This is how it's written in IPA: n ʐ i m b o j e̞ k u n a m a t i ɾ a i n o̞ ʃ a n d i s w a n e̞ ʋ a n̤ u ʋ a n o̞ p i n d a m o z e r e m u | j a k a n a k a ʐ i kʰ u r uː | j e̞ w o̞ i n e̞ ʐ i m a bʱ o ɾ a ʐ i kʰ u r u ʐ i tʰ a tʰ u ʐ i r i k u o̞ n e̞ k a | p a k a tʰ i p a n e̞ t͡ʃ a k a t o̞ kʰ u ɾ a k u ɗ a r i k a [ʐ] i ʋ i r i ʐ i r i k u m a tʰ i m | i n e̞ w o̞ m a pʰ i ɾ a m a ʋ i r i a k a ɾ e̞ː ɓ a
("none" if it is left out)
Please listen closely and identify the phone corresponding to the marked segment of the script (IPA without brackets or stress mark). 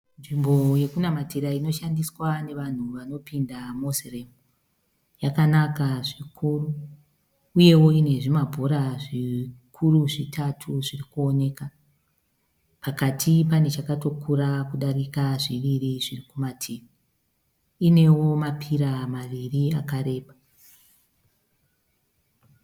ʐ